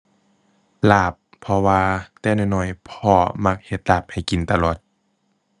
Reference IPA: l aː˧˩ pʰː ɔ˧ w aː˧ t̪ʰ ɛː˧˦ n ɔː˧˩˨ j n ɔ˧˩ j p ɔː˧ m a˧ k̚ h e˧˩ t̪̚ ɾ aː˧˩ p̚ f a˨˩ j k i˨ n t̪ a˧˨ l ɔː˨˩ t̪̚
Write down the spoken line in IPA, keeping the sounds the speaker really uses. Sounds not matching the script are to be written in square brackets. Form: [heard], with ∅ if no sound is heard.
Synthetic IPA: l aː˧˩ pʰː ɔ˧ w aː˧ [t̪] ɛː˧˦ n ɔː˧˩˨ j n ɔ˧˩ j [pʰ] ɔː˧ m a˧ k̚ h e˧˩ t̪̚ [l] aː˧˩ p̚ [h] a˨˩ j k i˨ n t̪ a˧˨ l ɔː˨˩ t̪̚